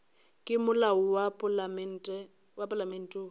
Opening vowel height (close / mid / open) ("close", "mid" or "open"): close